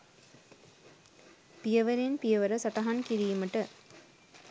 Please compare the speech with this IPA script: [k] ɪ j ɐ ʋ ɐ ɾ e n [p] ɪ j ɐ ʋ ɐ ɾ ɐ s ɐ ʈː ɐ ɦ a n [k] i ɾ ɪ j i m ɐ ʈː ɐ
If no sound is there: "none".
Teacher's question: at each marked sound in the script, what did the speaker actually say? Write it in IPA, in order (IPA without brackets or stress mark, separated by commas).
p, p, k